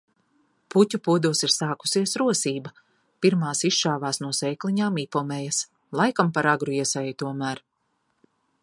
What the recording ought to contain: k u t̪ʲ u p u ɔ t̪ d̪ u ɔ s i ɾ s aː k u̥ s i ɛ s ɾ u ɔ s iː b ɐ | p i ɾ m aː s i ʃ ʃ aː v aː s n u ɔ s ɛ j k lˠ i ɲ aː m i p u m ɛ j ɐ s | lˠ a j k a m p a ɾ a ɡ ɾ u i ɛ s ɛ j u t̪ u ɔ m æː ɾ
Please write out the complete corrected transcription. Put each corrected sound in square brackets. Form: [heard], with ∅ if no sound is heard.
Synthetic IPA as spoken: [p] u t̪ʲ u p u ɔ [∅] d̪ u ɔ s i ɾ s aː k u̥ s i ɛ s ɾ u ɔ s iː b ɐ | p i ɾ m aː s i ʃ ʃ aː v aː s n u ɔ s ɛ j k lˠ i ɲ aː m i p [ɔ] m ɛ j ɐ s | lˠ a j k a m p a ɾ a ɡ ɾ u i ɛ s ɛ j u t̪ u ɔ m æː ɾ